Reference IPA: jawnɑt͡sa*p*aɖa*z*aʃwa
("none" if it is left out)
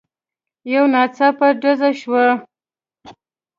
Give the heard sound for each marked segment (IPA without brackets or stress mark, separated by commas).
p, z